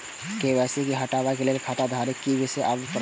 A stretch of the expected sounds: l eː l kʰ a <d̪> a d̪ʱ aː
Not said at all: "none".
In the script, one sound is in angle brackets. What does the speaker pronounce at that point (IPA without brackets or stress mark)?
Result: t̪